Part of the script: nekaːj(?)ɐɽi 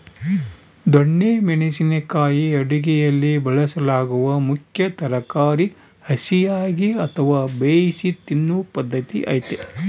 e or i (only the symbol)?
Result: i